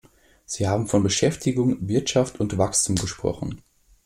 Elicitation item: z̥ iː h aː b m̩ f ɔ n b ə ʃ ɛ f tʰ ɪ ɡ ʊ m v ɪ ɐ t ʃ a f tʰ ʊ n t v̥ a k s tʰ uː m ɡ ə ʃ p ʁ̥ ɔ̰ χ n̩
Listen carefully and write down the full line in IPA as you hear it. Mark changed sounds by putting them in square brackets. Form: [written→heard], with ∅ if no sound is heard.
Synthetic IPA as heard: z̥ iː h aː b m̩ f ɔ n b ə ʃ ɛ f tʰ ɪ ɡ ʊ [m→ŋ] v ɪ ɐ t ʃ a f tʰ ʊ n t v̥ a k s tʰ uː m ɡ ə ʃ p ʁ̥ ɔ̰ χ n̩